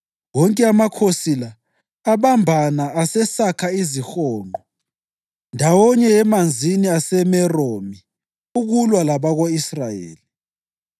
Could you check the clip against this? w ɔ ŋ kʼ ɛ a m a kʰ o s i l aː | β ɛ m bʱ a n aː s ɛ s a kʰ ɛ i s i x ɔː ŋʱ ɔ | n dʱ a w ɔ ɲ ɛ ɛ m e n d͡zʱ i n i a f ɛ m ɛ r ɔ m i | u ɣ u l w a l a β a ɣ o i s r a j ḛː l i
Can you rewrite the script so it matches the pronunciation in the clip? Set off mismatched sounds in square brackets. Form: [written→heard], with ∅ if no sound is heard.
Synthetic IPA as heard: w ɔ ŋ kʼ ɛ a m a kʰ o s i l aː | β [ɛ→a] m bʱ a n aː s ɛ s a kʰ [ɛ→a] i [s→z] i x ɔː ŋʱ ɔ | n dʱ a w ɔ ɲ ɛ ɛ m [e→a] n d͡zʱ i n i a [f→s] ɛ m ɛ r [ɔ→o] m i | u ɣ u l w a l a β a ɣ o i s r a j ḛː l i